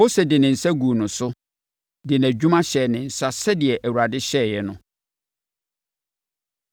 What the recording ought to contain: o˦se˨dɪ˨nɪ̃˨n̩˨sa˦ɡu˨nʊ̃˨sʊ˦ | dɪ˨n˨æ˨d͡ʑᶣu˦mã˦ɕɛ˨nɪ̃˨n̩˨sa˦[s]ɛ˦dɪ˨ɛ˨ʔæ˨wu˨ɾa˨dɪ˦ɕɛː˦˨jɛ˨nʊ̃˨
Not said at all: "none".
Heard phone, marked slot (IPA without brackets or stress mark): s